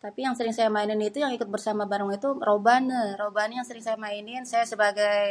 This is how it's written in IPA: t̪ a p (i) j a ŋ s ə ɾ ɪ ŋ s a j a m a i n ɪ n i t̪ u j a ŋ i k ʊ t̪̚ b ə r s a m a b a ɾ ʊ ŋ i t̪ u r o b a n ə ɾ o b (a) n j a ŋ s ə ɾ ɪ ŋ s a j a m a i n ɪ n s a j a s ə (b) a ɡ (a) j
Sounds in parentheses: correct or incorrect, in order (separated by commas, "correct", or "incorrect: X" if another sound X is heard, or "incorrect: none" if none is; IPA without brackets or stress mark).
correct, correct, correct, correct